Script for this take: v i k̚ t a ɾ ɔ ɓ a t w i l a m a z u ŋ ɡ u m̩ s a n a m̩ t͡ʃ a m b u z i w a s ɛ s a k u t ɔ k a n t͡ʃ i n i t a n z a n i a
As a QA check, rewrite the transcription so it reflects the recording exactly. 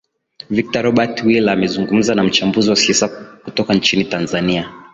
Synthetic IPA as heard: v i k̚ t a ɾ ɔ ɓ a t w i l a m ɛ z u ŋ ɡ u m̩ z a n a m̩ t͡ʃ a m b u z i w a s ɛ s a k u t ɔ k a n t͡ʃ i n i t a n z a n i a